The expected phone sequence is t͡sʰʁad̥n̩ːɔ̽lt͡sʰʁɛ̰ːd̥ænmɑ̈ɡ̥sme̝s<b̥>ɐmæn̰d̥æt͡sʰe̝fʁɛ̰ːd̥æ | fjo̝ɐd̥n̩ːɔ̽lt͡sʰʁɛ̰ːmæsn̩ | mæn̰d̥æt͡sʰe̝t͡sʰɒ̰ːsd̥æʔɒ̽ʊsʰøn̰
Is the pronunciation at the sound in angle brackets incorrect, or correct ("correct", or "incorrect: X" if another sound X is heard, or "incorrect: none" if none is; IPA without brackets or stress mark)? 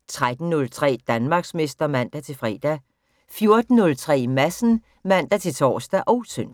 incorrect: d̥